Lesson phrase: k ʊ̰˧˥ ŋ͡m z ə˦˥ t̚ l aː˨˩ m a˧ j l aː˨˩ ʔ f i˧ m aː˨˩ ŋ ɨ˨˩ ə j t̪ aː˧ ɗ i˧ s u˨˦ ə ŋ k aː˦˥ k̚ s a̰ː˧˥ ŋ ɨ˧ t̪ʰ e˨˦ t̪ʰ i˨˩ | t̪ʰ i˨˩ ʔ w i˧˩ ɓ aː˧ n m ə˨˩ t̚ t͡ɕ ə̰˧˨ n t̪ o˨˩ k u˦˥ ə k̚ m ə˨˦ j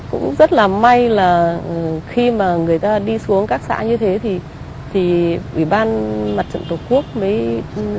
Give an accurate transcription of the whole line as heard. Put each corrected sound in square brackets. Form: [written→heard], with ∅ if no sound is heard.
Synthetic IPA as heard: k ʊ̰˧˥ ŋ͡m z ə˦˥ t̚ l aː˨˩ m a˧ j l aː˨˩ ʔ [f→x] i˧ m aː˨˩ ŋ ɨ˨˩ ə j t̪ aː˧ ɗ i˧ s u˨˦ ə ŋ k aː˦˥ k̚ s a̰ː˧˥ [ŋ→ɲ] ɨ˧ t̪ʰ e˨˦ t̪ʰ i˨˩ | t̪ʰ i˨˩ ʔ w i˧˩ ɓ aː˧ n m [ə˨˩→a˨˩] t̚ t͡ɕ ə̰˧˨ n t̪ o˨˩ k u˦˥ ə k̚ m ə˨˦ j